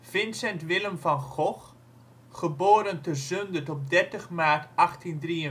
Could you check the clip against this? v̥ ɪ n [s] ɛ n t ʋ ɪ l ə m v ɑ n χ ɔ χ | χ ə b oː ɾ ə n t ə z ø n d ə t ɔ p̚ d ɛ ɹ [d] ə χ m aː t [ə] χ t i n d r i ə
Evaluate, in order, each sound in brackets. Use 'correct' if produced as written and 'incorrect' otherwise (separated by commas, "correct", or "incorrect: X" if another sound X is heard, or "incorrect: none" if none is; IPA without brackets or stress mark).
correct, incorrect: t, incorrect: ɑ